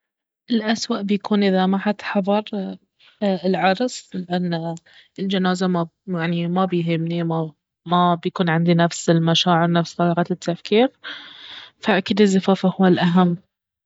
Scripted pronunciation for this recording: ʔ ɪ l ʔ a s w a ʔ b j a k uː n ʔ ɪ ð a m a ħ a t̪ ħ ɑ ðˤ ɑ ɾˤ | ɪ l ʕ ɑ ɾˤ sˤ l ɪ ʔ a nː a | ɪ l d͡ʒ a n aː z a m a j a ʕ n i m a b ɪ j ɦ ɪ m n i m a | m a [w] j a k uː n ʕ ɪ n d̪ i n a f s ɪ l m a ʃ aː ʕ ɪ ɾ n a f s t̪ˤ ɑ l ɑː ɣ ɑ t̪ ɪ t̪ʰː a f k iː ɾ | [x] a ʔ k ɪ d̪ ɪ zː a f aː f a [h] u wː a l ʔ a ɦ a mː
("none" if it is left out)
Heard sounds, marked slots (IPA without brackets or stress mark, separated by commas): b, f, h